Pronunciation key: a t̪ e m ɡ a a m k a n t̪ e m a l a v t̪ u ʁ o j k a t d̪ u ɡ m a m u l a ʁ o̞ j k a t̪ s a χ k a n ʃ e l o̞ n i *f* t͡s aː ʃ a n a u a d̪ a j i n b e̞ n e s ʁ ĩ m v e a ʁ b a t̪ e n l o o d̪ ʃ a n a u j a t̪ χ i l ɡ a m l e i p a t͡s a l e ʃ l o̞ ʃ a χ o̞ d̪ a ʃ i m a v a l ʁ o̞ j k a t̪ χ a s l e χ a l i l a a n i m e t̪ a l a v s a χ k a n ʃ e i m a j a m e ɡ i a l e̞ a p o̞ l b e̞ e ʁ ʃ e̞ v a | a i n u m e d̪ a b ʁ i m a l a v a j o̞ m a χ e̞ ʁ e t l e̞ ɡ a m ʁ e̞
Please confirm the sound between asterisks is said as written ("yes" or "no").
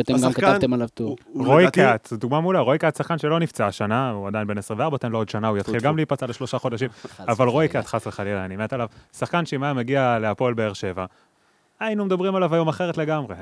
yes